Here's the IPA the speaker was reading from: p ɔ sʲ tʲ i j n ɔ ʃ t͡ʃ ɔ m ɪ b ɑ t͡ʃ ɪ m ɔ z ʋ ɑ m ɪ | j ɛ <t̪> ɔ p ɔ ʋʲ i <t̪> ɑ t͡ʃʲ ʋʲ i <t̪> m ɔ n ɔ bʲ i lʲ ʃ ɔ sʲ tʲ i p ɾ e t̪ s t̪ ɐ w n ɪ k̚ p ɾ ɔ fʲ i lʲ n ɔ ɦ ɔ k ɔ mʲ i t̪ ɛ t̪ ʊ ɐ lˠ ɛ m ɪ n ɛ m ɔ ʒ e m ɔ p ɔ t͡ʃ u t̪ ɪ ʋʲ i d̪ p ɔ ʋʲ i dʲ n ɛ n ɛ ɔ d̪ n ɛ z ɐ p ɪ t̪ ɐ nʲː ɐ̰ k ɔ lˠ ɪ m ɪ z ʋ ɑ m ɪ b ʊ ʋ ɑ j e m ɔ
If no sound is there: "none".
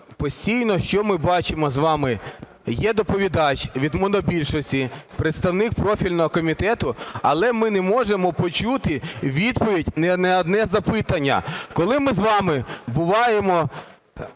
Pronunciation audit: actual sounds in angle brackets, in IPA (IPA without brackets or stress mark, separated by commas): d̪, d̪, d̪